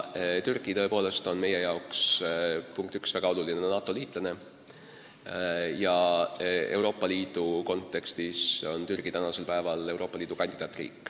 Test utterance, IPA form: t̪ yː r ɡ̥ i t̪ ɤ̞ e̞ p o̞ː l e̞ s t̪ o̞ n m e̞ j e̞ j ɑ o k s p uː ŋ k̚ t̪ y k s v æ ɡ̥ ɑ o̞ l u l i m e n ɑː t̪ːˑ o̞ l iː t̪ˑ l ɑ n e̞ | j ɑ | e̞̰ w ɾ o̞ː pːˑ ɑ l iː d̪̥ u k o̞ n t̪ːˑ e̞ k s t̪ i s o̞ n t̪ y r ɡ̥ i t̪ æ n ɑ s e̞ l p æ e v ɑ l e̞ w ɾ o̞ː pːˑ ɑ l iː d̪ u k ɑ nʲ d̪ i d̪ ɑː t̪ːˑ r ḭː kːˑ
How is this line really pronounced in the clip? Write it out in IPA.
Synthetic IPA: t̪ y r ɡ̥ i t̪ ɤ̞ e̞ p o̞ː l e̞ s t̪ o̞ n m e̞ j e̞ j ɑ o k s p u ŋ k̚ t̪ y k s v æ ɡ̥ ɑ o̞ l u l i n e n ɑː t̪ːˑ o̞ l iː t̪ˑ l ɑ n e̞ | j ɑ | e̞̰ w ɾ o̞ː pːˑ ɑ l iː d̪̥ u k o̞ n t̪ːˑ e̞ k s t̪ i s o̞ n t̪ y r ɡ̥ i t̪ æ n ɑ s e̞ l p æ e v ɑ l e̞ w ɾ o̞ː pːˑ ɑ l iː d̪ u k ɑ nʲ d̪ i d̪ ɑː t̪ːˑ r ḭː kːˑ